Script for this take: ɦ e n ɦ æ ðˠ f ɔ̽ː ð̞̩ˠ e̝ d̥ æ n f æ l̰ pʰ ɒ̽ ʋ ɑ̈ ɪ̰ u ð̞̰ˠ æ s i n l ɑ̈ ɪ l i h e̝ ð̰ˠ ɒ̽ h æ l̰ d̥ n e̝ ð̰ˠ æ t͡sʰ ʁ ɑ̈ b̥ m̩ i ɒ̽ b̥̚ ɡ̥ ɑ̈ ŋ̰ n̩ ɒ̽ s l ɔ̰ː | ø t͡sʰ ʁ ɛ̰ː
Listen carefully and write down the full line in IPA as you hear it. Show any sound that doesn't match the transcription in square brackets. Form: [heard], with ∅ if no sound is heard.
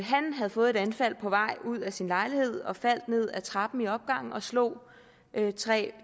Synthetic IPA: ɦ [æ] n ɦ æ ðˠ f ɔ̽ː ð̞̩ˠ e̝ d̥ æ n f æ l̰ pʰ ɒ̽ ʋ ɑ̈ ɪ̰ u ð̞̰ˠ æ s i n l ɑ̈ ɪ l i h e̝ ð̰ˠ ɒ̽ [f] æ l̰ d̥ n e̝ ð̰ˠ æ t͡sʰ ʁ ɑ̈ b̥ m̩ i ɒ̽ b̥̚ ɡ̥ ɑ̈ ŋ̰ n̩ ɒ̽ s l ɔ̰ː | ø t͡sʰ ʁ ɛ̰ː